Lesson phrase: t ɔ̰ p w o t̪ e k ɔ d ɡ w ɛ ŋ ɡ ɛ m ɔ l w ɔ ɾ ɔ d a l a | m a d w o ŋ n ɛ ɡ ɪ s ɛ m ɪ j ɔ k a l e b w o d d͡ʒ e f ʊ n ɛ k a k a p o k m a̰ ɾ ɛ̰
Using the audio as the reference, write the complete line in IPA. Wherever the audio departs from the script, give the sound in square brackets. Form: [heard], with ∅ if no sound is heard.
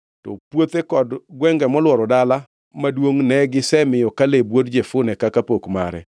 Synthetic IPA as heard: t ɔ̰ p w o t̪ e k ɔ d ɡ w ɛ ŋ ɡ ɛ m ɔ l w ɔ ɾ ɔ d a l a | m a d w o ŋ n ɛ ɡ ɪ s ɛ m ɪ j ɔ k a l e b w o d d͡ʒ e f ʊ n ɛ k a k a p o k m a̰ ɾ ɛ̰